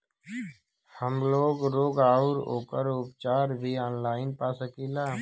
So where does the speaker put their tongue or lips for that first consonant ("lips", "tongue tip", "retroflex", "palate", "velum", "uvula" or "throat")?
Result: throat